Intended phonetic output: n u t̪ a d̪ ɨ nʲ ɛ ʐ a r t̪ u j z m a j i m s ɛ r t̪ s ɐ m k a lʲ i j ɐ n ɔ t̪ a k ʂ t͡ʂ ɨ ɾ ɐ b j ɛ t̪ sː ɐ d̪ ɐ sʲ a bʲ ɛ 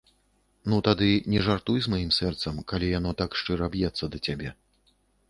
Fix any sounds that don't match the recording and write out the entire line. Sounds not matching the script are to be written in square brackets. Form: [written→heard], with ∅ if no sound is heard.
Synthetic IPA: n u t̪ a d̪ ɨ nʲ ɛ ʐ a r t̪ u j z m a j i m s ɛ r t̪ s ɐ m k a lʲ i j [ɐ→a] n ɔ t̪ a k ʂ t͡ʂ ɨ ɾ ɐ b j ɛ t̪ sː ɐ d̪ ɐ [sʲ→t͡sʲ] a bʲ ɛ